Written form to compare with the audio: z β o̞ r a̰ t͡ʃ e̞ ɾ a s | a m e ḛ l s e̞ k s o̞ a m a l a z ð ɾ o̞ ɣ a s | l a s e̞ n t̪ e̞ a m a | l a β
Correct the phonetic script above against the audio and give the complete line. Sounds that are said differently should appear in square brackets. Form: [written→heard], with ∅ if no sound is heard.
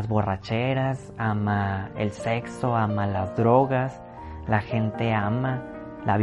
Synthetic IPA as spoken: z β o̞ r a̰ t͡ʃ e̞ ɾ a s | a m [e→a] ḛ l s e̞ k s o̞ a m a l a z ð ɾ o̞ ɣ a s | l a [s→x] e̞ n t̪ e̞ a m a | l a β